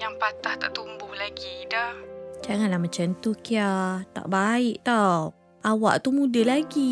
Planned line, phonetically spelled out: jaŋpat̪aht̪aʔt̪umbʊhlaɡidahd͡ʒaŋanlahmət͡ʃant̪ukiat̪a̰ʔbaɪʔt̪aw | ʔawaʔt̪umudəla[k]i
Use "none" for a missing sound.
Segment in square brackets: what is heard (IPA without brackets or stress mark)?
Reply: ɡ